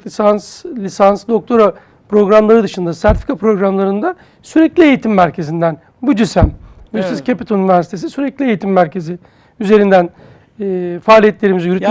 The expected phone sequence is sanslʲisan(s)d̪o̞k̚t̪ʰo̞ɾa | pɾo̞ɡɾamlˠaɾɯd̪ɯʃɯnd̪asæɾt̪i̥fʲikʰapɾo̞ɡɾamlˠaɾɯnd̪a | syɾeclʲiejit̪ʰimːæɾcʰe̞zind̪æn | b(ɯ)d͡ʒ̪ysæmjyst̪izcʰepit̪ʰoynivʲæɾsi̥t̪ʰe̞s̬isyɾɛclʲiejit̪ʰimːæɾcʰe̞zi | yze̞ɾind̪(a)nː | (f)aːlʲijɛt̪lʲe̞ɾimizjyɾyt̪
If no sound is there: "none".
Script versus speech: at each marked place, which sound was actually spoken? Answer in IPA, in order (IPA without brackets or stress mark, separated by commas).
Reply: s, u, æ, f